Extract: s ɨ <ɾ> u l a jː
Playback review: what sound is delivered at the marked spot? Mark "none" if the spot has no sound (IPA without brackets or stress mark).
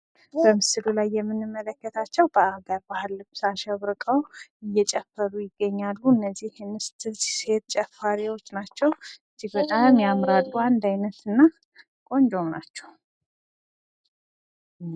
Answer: l